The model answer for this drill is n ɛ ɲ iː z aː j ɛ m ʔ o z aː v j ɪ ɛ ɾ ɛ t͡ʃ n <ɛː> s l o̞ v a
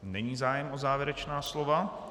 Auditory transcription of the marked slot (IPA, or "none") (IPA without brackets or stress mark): aː